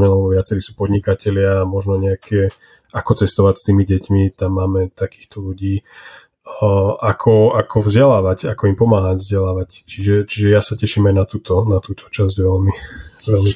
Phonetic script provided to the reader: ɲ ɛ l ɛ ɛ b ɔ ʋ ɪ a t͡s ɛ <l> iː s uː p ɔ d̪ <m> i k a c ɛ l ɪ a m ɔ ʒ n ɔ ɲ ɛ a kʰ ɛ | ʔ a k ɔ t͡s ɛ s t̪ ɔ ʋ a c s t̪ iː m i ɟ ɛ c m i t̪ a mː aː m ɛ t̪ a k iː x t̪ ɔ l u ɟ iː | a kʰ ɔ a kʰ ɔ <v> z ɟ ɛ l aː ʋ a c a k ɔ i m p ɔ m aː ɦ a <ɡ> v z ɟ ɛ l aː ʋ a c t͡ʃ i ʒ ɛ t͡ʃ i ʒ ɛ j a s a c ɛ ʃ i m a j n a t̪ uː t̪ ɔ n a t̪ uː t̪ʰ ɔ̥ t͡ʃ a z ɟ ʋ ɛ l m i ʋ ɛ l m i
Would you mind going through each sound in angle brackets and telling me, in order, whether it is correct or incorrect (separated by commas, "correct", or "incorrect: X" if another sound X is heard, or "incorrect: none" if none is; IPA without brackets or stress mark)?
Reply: incorrect: ɾ, incorrect: ɲ, correct, incorrect: ɟ